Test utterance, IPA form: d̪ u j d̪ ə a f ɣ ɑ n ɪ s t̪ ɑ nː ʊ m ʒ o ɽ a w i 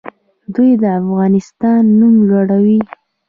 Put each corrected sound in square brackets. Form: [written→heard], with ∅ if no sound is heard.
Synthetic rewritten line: d̪ u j d̪ ə a f ɣ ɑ n ɪ s t̪ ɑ nː [ʊ→u] m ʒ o ɽ a w i